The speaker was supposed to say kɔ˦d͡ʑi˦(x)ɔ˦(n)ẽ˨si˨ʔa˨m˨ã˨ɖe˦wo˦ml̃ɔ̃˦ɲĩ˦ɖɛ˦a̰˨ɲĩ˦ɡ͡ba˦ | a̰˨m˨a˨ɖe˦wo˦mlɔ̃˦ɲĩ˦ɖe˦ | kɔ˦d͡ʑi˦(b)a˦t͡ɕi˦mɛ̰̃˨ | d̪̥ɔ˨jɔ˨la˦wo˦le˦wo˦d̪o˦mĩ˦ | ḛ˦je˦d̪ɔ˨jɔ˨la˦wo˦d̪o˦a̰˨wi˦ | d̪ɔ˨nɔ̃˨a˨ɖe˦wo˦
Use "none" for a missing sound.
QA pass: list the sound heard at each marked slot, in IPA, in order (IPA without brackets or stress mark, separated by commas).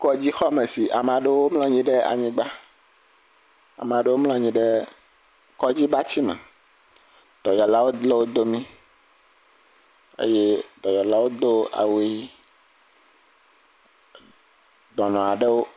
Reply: x, m, b